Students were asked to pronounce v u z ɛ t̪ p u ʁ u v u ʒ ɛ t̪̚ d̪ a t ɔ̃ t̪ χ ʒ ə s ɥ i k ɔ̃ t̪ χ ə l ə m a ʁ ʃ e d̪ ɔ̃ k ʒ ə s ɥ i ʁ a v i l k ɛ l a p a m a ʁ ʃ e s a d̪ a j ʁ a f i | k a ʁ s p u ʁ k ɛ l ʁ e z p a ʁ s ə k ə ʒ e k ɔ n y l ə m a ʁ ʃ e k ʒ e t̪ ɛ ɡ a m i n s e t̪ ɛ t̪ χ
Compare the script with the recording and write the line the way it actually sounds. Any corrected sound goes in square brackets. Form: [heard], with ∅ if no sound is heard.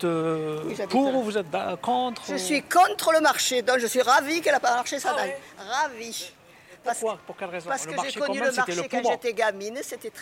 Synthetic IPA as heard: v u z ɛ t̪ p u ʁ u v u [z] ɛ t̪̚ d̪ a [k] ɔ̃ t̪ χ ʒ ə s ɥ i k ɔ̃ t̪ χ ə l ə m a ʁ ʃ e d̪ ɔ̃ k ʒ ə s ɥ i ʁ a v i [∅] k ɛ l a p a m a ʁ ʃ e s a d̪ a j ʁ a [v] i | [p] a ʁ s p u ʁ k ɛ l ʁ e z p a ʁ s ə k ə ʒ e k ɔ n y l ə m a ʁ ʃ e k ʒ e t̪ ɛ ɡ a m i n s e t̪ ɛ t̪ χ